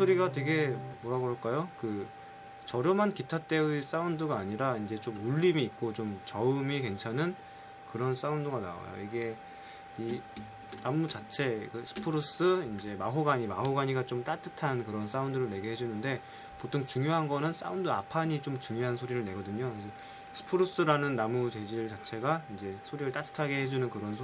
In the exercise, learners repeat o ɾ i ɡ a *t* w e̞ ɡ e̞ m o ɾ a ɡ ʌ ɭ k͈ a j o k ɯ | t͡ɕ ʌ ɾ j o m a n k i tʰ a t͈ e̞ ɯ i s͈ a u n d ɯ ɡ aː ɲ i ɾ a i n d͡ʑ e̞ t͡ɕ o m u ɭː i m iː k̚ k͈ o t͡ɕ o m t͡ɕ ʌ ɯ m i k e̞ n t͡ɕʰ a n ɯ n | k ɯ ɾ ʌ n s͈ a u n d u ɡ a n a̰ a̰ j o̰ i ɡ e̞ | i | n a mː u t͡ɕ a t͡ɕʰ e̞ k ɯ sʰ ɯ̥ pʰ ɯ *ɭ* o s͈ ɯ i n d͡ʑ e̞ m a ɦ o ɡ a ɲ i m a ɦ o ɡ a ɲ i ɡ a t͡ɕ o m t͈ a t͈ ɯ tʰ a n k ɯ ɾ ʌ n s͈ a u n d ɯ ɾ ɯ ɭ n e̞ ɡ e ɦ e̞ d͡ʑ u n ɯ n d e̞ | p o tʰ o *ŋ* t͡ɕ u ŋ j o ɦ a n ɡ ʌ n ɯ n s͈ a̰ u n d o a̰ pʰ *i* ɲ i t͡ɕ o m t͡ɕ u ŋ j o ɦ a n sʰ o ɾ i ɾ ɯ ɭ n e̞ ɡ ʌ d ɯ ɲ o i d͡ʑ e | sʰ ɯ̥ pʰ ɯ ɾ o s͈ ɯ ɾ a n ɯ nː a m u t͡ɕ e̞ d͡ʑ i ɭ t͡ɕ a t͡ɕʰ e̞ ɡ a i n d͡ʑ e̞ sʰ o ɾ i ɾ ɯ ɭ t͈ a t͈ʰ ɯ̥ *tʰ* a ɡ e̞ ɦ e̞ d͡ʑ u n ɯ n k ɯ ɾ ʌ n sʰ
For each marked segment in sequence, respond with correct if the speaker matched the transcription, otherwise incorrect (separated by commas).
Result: correct, incorrect, correct, incorrect, correct